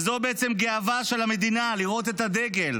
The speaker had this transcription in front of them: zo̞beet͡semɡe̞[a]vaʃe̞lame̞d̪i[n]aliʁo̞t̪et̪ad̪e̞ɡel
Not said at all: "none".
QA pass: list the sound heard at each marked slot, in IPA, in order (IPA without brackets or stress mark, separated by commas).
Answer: a, n